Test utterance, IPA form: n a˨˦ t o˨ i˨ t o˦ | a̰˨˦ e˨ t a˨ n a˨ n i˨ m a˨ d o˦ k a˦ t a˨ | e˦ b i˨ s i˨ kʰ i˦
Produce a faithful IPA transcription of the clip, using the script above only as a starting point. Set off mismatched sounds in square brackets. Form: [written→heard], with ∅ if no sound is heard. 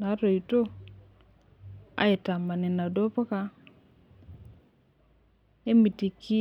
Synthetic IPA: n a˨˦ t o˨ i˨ t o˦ | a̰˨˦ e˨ t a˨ [n→m] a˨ n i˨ [m→n] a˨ d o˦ [k→p] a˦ [t→k] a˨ | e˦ [b→m] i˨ [s→t] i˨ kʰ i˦